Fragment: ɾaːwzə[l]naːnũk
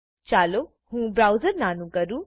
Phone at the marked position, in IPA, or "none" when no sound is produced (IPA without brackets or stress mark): ɾ